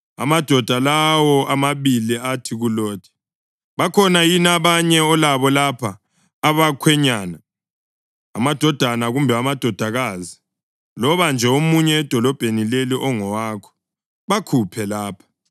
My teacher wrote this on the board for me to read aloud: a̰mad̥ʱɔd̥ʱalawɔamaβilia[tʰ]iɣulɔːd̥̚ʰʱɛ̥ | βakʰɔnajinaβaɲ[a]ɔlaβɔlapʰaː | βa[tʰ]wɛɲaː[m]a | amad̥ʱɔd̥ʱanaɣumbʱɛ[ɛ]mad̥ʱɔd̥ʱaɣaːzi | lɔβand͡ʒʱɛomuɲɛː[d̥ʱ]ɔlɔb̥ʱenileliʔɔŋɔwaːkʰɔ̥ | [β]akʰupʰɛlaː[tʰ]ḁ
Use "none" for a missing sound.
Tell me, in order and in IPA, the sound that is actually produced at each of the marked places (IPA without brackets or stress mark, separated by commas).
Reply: tʰ, ɛ, kʰ, n, a, d̥ʱ, β, pʰ